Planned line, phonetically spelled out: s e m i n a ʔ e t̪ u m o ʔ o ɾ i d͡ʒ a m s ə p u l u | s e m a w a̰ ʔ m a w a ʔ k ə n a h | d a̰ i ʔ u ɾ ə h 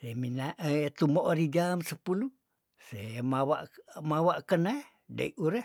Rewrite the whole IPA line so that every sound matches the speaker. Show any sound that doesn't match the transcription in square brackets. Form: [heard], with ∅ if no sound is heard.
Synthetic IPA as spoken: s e m i n a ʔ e t̪ u m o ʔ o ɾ i d͡ʒ a m s ə p u l u | s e m a w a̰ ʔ m a w a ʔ k ə n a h | d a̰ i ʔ u ɾ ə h